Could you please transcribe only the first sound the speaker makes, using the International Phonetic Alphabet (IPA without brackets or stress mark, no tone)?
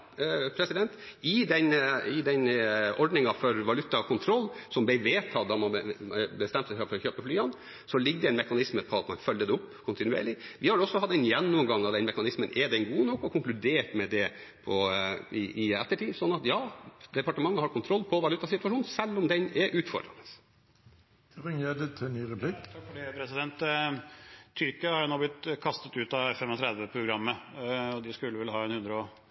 pʰ